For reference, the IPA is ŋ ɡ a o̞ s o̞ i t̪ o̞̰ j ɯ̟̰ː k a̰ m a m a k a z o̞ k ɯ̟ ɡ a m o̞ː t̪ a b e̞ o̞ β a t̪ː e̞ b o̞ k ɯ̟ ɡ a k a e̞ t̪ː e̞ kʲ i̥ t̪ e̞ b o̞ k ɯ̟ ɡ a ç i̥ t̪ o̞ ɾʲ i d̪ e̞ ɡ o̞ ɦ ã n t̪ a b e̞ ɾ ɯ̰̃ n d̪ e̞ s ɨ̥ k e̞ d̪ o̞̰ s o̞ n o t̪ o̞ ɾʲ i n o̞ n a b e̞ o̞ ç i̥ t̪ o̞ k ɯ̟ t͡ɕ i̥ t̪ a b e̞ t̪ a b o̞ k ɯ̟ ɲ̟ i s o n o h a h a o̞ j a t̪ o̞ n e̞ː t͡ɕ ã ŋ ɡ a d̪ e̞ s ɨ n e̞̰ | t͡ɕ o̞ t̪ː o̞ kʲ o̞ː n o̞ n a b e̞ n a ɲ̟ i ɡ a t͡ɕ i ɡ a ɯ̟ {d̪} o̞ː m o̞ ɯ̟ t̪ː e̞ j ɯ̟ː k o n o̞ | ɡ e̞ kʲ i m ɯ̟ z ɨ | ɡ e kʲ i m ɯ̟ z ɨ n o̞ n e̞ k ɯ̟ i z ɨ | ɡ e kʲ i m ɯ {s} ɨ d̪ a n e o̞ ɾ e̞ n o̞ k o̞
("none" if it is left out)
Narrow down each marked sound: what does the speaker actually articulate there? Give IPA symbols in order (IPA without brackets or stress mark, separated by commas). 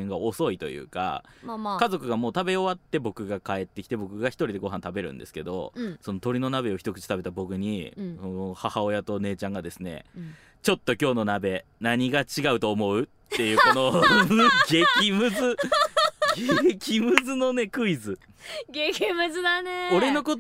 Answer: t̪, z